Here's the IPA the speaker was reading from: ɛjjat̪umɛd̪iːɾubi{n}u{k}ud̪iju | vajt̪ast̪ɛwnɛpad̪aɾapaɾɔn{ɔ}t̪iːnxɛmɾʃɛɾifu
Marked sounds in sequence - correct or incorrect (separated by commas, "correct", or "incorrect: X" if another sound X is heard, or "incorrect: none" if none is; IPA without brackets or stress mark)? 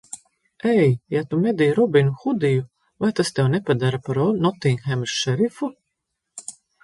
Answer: correct, incorrect: x, correct